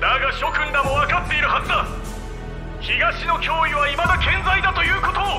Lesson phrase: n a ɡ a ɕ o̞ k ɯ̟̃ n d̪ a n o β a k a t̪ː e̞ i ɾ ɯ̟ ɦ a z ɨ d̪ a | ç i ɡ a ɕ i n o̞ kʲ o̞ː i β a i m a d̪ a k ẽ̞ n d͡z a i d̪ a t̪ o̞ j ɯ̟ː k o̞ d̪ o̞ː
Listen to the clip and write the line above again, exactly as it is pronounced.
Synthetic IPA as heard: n a ɡ a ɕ o̞ k ɯ̟̃ n d̪ a m o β a k a t̪ː e̞ i ɾ ɯ̟ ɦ a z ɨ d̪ a | ç i ɡ a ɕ i n o̞ kʲ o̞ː i β a i m a d̪ a k ẽ̞ n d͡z a i d̪ a t̪ o̞ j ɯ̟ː k o̞ t̪ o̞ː

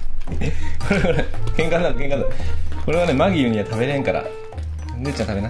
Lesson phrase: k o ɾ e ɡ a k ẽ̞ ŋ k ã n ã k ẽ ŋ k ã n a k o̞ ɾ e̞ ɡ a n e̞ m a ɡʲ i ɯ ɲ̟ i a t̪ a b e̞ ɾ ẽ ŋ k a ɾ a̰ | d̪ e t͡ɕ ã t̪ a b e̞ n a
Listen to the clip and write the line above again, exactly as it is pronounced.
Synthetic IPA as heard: k o ɾ e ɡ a k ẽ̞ ŋ k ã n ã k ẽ ŋ k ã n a k o̞ ɾ e̞ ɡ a n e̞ m a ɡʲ i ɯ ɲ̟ i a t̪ a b e̞ ɾ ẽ ŋ k a ɾ a̰ | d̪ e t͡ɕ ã t̪ a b e̞ n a

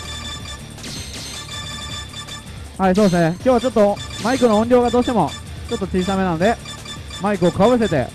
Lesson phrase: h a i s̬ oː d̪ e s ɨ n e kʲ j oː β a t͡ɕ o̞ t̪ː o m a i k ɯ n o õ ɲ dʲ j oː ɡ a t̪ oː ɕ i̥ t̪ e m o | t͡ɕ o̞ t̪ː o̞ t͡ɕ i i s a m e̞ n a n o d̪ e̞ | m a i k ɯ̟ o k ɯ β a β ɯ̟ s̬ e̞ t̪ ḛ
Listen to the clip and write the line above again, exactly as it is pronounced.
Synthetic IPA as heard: h a i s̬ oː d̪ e s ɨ n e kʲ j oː β a t͡ɕ o̞ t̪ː o m a i k ɯ n o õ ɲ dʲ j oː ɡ a d̪ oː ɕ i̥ t̪ e m o | t͡ɕ o̞ t̪ː o̞ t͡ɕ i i s a m e̞ n a n o d̪ e̞ | m a i k ɯ̟ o k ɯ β a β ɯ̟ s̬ e̞ t̪ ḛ

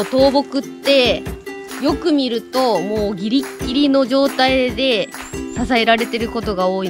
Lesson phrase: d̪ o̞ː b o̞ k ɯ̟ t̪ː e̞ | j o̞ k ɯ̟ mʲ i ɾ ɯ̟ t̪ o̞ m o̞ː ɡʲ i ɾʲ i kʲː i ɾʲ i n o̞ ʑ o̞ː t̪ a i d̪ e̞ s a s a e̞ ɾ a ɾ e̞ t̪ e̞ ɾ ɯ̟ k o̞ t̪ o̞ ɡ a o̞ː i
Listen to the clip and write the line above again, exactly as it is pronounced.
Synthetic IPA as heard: t̪ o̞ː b o̞ k ɯ̟ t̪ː e̞ | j o̞ k ɯ̟ mʲ i ɾ ɯ̟ t̪ o̞ m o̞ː ɡʲ i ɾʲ i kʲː i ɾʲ i n o̞ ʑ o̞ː t̪ a i d̪ e̞ s a s a e̞ ɾ a ɾ e̞ t̪ e̞ ɾ ɯ̟ k o̞ t̪ o̞ ɡ a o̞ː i

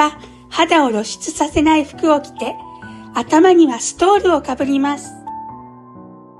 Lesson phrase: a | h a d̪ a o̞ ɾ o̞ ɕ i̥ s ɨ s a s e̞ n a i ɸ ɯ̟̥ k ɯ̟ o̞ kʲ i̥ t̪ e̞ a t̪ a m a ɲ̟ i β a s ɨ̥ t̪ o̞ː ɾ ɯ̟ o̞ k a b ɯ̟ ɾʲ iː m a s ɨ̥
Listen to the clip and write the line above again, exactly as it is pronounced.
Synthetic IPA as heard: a | h a d̪ a o̞ ɾ o̞ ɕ i̥ t͡s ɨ s a s e̞ n a i ɸ ɯ̟̥ k ɯ̟ o̞ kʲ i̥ t̪ e̞ a t̪ a m a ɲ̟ i β a s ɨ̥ t̪ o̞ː ɾ ɯ̟ o̞ k a b ɯ̟ ɾʲ i m a s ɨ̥

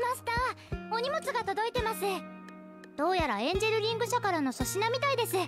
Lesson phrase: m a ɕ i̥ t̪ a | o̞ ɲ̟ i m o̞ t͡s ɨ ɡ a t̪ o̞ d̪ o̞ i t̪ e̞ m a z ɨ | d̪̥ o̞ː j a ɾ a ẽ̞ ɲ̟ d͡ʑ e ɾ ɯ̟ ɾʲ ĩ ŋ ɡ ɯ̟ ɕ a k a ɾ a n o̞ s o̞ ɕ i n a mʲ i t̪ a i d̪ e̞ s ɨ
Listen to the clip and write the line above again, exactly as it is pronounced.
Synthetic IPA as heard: m a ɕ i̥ t̪ a | o̞ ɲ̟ i m o̞ t͡s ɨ ɡ a t̪ o̞ d̪ o̞ i t̪ e̞ m a s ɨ | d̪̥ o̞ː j a ɾ a ẽ̞ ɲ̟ d͡ʑ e ɾ ɯ̟ ɾʲ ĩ ŋ ɡ ɯ̟ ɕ a k a ɾ a n o̞ s o̞ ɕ i n a mʲ i t̪ a i d̪ e̞ s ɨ

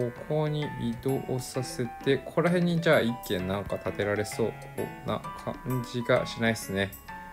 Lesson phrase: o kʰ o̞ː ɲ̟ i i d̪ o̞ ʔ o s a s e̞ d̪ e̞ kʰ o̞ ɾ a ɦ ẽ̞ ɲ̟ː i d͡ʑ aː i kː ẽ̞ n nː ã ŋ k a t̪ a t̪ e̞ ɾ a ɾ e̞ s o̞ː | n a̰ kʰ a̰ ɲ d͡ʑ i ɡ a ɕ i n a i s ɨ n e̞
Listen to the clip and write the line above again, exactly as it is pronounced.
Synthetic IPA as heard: o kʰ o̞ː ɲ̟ i i d̪ o̞ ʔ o s a s e̞ t̪ e̞ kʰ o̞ ɾ a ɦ ẽ̞ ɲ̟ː i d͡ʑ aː i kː ẽ̞ n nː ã ŋ k a t̪ a t̪ e̞ ɾ a ɾ e̞ s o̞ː | n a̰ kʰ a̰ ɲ d͡ʑ i ɡ a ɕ i n a i s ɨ n e̞

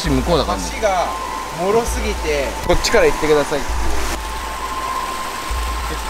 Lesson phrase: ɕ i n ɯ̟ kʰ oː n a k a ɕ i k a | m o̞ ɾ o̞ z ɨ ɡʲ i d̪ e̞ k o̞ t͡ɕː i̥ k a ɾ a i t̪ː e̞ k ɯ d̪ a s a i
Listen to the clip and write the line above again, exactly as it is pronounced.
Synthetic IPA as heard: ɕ i m ɯ̟ k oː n a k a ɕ i ɡ a | m o̞ ɾ o̞ s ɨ ɡʲ i t̪ e̞ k o̞ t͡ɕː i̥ k a ɾ a i t̪ː e̞ k ɯ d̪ a s a i

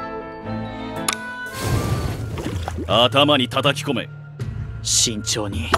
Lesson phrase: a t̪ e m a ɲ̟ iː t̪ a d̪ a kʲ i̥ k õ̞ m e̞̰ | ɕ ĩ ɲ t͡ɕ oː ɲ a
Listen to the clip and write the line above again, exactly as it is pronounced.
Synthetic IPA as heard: a t̪ a m a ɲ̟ i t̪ a t̪ a kʲ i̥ k o̞ m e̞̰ | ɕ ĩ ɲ t͡ɕ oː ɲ i

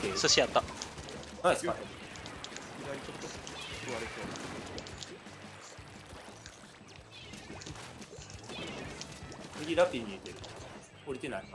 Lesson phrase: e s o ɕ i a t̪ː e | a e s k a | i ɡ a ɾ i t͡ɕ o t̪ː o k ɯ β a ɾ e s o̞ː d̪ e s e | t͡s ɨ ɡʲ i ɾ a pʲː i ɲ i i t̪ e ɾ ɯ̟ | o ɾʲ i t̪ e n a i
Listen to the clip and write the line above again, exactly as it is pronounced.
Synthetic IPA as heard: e s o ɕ i a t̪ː a | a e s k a | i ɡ a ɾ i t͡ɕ o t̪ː o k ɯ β a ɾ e s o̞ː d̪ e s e | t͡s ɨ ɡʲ i ɾ a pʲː i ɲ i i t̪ e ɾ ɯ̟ | o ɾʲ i t̪ e n a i

